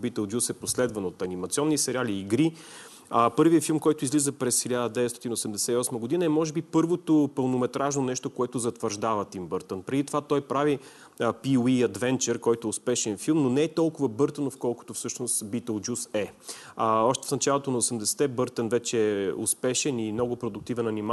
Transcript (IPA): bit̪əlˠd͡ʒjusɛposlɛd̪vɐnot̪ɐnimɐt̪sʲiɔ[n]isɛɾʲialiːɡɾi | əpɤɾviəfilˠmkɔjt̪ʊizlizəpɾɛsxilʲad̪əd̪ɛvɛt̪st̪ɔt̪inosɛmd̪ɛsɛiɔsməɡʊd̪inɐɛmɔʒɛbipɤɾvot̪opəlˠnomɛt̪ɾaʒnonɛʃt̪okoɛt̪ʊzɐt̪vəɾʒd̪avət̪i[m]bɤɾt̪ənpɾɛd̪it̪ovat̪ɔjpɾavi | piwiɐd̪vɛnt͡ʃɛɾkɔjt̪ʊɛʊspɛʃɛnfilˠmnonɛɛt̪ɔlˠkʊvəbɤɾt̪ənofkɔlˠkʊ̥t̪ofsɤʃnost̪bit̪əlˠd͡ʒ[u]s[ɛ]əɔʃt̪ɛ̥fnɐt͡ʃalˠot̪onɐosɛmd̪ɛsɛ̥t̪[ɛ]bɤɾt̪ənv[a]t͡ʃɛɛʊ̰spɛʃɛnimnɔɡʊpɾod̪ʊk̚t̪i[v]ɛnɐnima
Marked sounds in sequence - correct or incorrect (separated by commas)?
incorrect, correct, correct, correct, correct, incorrect, correct